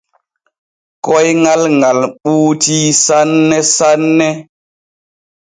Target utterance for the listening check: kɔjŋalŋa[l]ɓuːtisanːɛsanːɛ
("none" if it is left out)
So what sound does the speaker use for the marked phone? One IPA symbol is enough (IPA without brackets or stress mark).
l